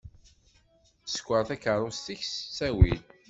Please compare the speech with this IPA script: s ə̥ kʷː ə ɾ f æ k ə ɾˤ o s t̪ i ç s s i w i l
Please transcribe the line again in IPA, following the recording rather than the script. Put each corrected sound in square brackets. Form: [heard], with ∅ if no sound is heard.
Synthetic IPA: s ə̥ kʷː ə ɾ [θ] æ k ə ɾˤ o s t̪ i ç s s [æ] w i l